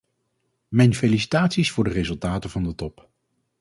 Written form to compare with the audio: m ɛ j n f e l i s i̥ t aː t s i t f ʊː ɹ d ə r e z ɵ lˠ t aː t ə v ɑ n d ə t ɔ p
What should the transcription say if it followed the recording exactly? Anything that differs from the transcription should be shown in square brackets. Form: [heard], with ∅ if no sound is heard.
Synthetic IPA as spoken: m ɛ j n f e l i s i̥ t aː t s i [s] f ʊː ɹ d ə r e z ɵ lˠ t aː t ə v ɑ n d ə t ɔ p